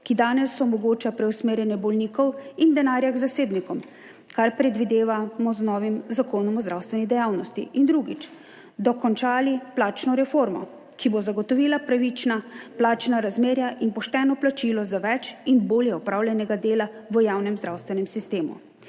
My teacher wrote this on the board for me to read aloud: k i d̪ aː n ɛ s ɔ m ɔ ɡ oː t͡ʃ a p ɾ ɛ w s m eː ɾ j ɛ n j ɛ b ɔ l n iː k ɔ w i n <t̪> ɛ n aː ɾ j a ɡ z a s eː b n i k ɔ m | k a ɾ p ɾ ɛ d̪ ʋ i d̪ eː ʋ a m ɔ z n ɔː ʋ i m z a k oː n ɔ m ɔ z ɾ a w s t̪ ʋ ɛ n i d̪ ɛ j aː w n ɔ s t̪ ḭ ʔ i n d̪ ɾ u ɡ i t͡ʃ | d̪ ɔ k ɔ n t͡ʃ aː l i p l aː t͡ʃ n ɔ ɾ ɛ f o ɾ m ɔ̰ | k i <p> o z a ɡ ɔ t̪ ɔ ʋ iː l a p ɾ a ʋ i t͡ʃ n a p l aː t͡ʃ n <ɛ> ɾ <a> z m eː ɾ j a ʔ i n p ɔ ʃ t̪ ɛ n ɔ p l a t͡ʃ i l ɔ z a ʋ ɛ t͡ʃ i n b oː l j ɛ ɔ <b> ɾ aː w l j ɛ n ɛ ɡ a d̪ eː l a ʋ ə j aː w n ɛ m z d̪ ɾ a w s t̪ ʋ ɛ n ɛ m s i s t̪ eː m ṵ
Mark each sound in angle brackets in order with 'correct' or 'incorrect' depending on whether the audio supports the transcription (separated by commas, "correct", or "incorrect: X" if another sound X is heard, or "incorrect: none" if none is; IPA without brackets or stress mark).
incorrect: d̪, incorrect: b, incorrect: a, correct, incorrect: p